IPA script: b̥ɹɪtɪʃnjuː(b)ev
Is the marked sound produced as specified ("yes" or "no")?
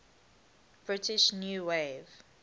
no